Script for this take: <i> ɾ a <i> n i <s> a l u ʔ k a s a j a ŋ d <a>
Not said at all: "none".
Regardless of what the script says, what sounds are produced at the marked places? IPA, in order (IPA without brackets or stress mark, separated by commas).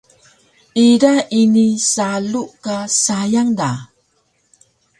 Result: i, i, s, a